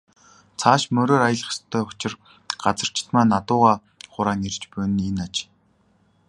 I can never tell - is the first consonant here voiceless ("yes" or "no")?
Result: yes